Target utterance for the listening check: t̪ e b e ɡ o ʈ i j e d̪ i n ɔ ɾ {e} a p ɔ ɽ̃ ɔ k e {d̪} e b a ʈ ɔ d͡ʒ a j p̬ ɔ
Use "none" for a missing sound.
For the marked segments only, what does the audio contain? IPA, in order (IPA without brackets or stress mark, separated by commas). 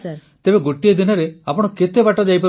e, t̪